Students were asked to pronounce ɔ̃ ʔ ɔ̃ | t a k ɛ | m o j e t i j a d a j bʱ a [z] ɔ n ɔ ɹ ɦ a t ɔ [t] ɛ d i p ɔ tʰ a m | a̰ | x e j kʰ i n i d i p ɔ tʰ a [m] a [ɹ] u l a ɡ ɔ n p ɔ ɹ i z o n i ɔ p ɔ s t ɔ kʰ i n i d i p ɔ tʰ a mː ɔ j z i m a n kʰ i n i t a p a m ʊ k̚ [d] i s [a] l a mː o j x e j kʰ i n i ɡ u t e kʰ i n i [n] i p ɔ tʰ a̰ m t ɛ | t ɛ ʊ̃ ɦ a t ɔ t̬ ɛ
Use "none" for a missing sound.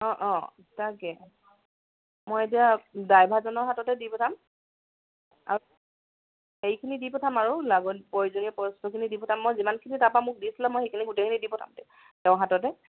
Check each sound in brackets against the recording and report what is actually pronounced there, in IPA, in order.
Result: z, t, m, ɹ, d, i, d

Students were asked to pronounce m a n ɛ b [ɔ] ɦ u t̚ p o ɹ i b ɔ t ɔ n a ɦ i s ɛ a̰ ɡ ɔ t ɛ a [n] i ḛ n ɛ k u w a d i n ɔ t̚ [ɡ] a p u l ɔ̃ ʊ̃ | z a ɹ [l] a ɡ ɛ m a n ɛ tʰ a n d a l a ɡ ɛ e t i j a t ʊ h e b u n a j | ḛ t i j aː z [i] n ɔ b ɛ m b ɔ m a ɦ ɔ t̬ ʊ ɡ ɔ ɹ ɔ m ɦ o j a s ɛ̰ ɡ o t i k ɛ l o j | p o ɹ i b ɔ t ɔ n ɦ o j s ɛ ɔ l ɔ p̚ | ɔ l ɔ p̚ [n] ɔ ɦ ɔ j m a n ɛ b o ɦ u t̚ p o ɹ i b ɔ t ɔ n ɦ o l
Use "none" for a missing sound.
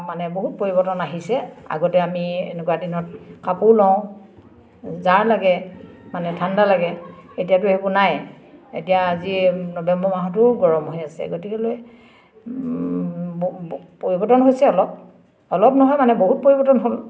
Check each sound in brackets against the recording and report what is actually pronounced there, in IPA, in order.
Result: o, m, k, l, i, n

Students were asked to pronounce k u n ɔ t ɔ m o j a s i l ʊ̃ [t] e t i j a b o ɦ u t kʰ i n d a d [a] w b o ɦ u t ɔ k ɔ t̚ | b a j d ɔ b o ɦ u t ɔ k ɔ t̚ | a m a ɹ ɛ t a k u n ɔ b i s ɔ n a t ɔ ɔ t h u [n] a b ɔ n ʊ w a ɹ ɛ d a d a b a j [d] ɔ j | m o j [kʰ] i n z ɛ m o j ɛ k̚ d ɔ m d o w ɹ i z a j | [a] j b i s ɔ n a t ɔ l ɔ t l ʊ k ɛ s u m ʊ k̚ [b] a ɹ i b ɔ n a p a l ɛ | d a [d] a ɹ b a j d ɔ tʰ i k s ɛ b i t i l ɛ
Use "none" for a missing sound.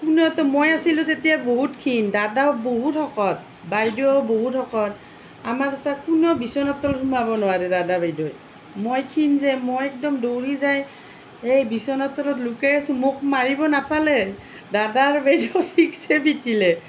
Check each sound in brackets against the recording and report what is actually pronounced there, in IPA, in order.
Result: t, a, m, d, kʰ, e, m, d

